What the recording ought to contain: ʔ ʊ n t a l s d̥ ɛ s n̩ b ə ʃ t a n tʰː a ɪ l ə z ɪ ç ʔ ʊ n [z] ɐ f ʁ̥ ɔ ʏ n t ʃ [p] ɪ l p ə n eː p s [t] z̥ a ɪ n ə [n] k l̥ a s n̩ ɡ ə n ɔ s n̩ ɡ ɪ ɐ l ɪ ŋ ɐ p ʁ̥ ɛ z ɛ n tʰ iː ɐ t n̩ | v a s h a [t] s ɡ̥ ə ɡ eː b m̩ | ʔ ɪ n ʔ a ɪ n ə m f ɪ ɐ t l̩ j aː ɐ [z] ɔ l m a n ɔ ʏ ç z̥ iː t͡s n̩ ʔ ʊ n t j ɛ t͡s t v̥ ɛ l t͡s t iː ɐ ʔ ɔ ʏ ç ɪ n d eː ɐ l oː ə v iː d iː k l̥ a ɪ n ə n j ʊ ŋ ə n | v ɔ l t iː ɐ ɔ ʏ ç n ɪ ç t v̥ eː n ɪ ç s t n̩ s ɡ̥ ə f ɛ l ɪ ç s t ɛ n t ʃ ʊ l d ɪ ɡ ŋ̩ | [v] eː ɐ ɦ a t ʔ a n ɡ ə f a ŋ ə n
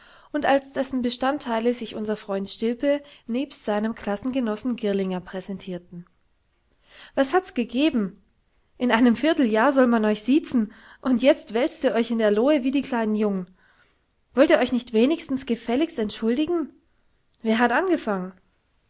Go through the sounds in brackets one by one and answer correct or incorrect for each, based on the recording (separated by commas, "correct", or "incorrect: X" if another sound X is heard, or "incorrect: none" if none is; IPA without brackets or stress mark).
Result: correct, incorrect: t, correct, incorrect: m, correct, correct, correct